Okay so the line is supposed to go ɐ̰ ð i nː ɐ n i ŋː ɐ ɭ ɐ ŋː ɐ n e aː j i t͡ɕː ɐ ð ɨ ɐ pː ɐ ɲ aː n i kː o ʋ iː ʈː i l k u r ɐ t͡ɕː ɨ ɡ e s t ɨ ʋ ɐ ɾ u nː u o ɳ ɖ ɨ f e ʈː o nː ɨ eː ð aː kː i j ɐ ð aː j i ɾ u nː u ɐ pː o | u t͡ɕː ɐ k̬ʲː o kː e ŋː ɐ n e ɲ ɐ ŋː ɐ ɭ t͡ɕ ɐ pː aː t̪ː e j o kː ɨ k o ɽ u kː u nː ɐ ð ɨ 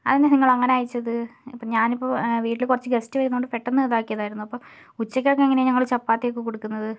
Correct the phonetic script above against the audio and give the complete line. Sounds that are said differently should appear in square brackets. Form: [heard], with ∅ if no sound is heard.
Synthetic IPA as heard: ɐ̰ ð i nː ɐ n i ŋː ɐ ɭ ɐ ŋː ɐ n e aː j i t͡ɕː ɐ ð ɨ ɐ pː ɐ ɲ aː n i [pː] o ʋ iː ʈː i l k u r ɐ t͡ɕː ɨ ɡ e s t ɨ ʋ ɐ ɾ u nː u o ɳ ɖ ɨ f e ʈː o nː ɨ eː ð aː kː i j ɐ ð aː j i ɾ u nː u ɐ pː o | u t͡ɕː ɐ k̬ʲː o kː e ŋː ɐ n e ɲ ɐ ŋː ɐ ɭ t͡ɕ ɐ pː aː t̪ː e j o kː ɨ k o ɽ u kː u nː ɐ ð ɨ